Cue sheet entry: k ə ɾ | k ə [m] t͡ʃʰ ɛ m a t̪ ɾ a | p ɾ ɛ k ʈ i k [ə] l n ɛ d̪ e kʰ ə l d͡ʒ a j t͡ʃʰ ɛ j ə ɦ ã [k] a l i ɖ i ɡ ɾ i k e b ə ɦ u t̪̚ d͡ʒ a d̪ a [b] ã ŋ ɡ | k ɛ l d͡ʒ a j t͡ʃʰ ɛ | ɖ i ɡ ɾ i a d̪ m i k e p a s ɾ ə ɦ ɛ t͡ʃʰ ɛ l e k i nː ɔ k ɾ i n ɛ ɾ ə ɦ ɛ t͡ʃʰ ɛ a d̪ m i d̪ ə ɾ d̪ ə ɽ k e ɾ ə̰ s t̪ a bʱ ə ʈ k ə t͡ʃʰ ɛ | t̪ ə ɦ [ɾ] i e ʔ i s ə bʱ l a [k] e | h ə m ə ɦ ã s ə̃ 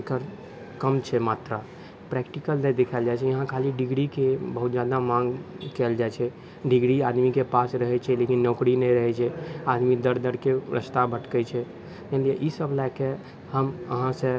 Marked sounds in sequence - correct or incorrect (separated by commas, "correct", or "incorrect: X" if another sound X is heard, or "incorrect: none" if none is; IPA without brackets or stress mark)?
correct, correct, incorrect: kʰ, incorrect: m, incorrect: l, correct